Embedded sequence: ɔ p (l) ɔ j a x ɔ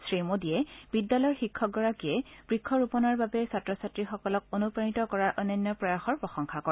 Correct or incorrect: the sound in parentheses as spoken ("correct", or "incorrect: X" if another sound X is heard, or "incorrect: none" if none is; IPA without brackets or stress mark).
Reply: incorrect: ɹ